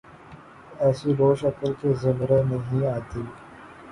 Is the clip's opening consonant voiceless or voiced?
voiceless